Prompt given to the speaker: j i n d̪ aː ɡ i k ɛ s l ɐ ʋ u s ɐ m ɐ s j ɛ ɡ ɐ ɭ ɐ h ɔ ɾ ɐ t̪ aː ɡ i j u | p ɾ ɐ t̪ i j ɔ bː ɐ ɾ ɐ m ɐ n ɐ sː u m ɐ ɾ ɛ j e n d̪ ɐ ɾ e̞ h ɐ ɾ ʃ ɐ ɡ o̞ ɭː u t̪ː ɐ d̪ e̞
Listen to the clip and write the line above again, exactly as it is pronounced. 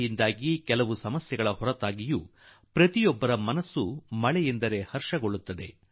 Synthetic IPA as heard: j i n d̪ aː ɡ i k ɛ l ɐ ʋ u s ɐ m ɐ s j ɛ ɡ ɐ ɭ ɐ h ɔ ɾ ɐ t̪ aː ɡ i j u | p ɾ ɐ t̪ i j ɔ bː ɐ ɾ ɐ m ɐ n ɐ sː u m ɐ ɭ ɛ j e n d̪ ɐ ɾ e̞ h ɐ ɾ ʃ ɐ ɡ o̞ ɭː u t̪ː ɐ d̪ e̞